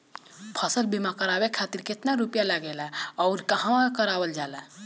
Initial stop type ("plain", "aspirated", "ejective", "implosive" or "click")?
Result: aspirated